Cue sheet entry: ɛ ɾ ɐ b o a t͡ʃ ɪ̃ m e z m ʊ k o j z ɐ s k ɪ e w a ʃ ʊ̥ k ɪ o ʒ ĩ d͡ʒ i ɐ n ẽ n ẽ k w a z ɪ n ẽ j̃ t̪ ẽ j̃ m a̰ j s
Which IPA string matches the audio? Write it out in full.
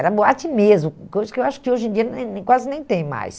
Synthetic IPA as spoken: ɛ ɾ ɐ b o a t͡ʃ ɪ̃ m e z m ʊ k o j z ɐ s k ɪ e w a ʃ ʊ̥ k ɪ o ʒ ẽ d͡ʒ i ɐ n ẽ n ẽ k w a z ɪ n ẽ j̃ t̪ ẽ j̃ m a̰ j s